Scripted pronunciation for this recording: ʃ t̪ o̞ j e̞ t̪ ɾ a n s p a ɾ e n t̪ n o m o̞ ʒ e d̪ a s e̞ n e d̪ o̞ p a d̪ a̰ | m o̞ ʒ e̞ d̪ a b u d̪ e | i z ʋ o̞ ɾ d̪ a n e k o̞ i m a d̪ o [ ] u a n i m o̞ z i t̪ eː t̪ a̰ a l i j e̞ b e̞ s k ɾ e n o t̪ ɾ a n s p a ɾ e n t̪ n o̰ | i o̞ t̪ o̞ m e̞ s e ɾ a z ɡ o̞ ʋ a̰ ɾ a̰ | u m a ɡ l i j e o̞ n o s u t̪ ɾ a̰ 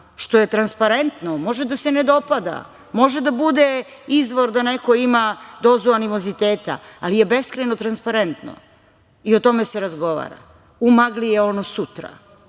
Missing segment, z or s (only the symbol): z